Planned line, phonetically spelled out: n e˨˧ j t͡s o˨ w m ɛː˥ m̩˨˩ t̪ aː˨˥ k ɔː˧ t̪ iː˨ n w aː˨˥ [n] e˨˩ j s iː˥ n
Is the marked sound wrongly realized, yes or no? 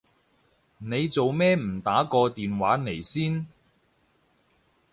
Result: no